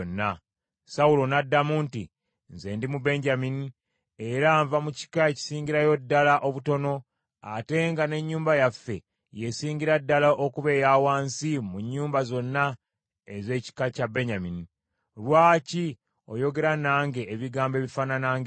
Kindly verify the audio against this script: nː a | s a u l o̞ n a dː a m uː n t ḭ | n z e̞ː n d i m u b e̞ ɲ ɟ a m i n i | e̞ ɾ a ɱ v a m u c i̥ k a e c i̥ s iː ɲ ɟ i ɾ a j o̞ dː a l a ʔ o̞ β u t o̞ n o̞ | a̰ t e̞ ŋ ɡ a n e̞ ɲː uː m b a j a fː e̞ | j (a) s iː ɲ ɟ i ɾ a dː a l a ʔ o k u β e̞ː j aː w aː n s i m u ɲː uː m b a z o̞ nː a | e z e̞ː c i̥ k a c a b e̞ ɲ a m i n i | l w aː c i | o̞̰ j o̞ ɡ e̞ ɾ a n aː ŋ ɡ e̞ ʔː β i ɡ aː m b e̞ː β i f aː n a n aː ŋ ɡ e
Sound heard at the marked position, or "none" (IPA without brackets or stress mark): e